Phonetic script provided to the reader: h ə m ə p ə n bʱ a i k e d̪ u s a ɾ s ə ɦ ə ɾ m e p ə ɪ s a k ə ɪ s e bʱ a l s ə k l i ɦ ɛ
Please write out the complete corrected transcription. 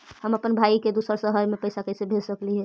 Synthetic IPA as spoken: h ə m ə p ə n bʱ a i k e d̪ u s ə ɾ s ə ɦ ə ɾ m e p ə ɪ s a k ə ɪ s e bʱ e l s ə k l i ɦ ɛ